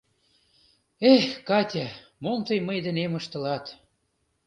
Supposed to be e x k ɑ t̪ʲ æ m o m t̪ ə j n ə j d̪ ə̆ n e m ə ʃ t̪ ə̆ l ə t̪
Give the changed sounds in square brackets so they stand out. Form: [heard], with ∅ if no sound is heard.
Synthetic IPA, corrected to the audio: e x k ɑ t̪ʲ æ m o m t̪ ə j [m] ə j d̪ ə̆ n e m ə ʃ t̪ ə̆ l [ɑ] t̪